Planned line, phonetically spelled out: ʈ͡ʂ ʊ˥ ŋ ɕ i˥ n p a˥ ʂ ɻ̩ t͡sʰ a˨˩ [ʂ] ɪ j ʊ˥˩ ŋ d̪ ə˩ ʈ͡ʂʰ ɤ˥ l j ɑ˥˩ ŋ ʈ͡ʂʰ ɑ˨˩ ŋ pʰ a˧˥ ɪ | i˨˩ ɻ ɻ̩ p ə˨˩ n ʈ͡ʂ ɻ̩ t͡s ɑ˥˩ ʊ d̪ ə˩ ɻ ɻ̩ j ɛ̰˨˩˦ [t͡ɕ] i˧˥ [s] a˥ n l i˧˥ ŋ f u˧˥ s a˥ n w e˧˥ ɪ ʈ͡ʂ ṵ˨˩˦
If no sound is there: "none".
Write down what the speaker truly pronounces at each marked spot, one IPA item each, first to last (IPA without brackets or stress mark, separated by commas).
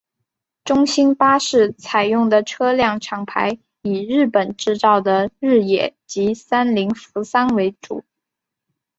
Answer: none, t͡ɕ, s